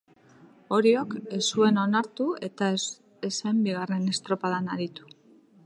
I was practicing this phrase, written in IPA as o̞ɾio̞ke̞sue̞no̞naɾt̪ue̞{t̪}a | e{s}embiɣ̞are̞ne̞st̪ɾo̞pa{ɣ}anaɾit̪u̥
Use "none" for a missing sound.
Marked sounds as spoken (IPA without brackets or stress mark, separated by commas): t̪, s, ð